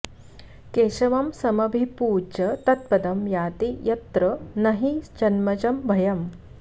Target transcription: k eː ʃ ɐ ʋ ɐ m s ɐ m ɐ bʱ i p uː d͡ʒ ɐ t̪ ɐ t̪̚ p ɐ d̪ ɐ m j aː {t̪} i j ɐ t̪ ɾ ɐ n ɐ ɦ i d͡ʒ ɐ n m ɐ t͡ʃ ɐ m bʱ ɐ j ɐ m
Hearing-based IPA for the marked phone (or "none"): t̪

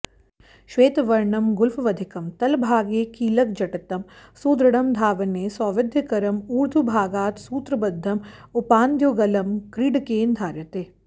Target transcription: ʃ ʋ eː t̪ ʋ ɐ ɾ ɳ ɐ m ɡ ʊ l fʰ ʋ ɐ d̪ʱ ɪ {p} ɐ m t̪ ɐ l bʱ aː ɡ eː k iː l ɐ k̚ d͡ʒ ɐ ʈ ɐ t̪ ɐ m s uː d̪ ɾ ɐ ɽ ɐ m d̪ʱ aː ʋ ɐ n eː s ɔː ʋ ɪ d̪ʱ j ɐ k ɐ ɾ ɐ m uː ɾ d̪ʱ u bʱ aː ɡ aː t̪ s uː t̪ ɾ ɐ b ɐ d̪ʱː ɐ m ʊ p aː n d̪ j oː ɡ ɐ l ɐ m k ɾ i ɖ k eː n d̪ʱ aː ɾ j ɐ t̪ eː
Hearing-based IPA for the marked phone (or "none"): k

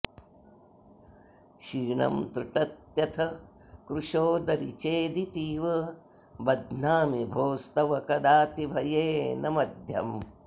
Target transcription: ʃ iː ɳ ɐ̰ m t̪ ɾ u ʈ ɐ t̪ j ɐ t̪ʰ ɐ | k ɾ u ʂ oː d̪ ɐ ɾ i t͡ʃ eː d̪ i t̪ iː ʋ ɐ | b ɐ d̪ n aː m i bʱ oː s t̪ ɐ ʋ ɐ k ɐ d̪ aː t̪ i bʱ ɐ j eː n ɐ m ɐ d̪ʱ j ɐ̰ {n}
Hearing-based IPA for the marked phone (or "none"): m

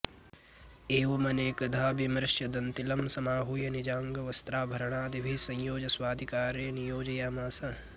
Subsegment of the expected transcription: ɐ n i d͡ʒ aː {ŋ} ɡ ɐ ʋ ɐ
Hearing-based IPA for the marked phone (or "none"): ŋ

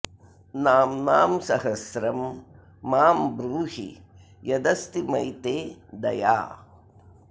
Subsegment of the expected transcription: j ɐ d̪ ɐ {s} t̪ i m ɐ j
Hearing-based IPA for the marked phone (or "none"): s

